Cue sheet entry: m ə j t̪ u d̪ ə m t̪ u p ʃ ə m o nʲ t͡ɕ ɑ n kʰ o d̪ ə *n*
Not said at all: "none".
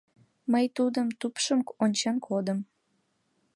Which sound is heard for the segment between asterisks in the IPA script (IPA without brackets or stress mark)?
m